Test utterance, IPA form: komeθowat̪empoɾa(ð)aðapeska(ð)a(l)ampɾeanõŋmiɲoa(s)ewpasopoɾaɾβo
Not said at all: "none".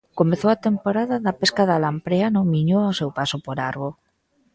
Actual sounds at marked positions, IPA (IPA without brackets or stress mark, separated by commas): ð, ð, l, s